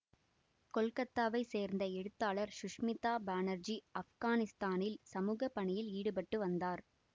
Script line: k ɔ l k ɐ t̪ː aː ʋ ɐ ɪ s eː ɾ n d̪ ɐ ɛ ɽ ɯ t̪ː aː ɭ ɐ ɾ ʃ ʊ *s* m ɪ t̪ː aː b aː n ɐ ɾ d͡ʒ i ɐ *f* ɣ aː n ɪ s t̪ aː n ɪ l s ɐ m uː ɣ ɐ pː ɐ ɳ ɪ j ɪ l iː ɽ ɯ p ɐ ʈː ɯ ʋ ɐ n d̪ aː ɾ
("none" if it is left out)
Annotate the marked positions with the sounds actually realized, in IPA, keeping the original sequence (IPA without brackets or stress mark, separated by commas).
ʂ, f